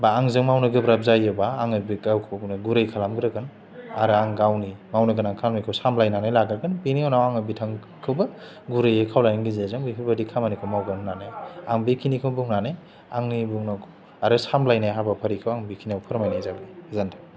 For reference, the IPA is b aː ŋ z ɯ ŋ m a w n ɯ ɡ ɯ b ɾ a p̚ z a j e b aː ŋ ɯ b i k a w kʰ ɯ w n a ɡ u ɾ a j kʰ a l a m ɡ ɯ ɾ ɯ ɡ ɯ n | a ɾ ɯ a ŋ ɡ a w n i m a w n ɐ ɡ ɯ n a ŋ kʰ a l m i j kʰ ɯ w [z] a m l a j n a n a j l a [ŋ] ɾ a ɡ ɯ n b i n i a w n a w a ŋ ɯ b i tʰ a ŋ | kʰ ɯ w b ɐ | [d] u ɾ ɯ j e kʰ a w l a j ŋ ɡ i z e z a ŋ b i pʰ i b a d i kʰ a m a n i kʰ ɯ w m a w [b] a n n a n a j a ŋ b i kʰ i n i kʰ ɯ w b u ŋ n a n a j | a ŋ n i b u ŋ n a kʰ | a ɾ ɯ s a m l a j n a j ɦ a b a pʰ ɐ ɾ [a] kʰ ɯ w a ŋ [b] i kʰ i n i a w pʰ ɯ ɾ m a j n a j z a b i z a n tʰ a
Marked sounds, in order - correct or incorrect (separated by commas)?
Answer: incorrect, incorrect, incorrect, incorrect, incorrect, correct